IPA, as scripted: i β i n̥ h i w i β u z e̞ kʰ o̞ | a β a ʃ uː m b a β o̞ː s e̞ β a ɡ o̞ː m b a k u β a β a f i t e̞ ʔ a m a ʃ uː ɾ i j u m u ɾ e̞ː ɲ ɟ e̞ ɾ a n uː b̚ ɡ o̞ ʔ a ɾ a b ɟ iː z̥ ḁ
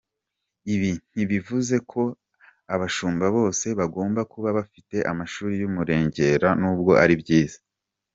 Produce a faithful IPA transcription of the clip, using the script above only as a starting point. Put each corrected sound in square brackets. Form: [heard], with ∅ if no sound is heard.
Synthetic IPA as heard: i β i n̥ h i [β] i [v] u z e̞ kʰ o̞ | a β a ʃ uː m b a β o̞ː s e̞ β a ɡ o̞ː m b a k u β a β a f i t e̞ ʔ a m a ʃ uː ɾ i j u m u ɾ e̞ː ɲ ɟ e̞ ɾ a n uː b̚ ɡ o̞ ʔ a ɾ [i] b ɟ iː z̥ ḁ